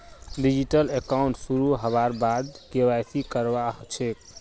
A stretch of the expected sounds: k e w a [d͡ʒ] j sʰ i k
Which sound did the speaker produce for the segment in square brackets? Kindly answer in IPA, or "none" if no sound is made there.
none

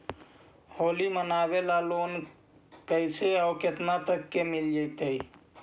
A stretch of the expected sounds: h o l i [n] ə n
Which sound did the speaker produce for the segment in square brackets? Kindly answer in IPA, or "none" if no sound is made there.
m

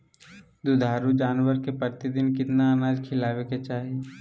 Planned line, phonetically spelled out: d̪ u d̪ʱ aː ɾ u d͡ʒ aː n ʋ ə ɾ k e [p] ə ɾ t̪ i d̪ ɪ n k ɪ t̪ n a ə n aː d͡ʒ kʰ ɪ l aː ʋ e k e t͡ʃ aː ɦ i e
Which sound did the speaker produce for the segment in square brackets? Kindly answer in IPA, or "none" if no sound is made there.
p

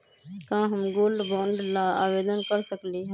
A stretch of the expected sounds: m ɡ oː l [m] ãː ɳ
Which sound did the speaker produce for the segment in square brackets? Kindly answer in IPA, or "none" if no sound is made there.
b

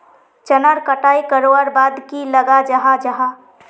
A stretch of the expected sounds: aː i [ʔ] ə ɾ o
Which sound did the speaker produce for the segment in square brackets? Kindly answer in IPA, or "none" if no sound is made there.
k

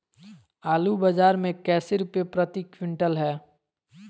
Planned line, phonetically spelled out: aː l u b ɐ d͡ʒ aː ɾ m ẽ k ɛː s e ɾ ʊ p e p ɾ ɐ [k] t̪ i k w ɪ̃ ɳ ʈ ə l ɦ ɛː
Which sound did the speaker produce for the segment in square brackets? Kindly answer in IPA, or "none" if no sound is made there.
none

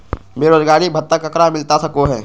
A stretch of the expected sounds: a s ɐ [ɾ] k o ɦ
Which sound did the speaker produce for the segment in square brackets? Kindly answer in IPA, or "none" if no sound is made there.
none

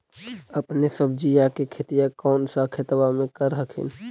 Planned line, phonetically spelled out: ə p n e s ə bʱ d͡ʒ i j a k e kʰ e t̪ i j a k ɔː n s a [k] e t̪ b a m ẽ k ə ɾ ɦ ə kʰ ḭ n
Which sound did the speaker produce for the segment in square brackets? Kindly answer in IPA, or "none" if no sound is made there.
kʰ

